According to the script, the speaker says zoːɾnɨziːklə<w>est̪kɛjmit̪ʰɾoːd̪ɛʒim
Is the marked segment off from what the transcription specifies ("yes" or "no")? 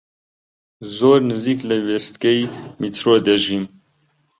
no